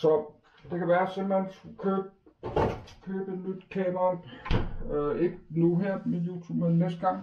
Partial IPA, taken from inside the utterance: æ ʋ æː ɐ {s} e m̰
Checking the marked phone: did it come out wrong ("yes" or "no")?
no